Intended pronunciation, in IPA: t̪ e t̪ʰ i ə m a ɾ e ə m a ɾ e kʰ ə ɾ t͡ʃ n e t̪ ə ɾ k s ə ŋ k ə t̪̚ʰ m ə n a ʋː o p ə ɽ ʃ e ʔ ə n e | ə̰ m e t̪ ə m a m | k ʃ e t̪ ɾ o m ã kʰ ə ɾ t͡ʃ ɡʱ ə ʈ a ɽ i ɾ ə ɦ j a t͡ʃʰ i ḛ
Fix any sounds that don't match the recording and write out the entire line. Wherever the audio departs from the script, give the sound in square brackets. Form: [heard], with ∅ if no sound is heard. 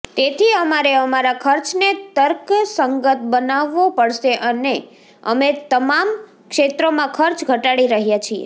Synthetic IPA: t̪ e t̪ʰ i ə m a ɾ e ə m a ɾ [a] kʰ ə ɾ t͡ʃ n e t̪ ə ɾ k s ə ŋ [ɡ] ə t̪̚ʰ [b] ə n a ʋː o p ə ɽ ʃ e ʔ ə n e | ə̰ m e t̪ ə m a m | k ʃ e t̪ ɾ o m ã kʰ ə ɾ t͡ʃ ɡʱ ə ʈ a ɽ i ɾ ə ɦ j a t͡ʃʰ i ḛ